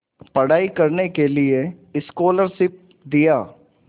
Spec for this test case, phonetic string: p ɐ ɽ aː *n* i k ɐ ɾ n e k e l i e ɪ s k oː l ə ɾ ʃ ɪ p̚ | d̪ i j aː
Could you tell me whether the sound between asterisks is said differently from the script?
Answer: yes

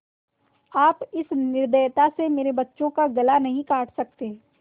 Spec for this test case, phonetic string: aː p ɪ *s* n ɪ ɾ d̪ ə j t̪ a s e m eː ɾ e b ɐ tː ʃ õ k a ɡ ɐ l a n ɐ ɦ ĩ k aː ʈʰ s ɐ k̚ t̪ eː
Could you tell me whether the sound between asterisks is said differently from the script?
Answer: no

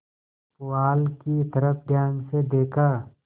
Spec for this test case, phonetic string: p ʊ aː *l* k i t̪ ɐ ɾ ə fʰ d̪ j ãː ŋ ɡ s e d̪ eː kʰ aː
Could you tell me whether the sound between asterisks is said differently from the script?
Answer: no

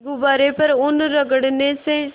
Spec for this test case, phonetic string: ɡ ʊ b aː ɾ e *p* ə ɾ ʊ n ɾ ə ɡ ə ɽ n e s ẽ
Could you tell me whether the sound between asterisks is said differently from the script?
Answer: no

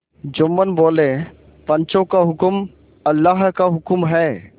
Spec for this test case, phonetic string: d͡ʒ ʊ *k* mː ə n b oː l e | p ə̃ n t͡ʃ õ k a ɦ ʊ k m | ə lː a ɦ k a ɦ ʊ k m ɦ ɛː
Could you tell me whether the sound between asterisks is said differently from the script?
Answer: yes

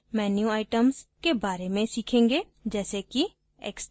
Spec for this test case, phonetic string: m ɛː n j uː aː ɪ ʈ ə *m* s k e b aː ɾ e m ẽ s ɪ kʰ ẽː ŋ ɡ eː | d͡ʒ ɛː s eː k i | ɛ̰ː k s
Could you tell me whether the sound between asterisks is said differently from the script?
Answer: no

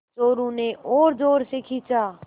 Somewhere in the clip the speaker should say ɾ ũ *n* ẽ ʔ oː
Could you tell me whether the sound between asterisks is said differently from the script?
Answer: no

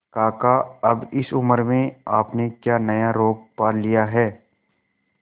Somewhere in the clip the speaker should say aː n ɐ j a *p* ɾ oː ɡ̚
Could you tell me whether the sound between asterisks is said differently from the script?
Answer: yes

